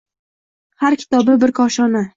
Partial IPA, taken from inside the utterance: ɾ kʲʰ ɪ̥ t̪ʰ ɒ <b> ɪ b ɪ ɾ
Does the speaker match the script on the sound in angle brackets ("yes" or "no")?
yes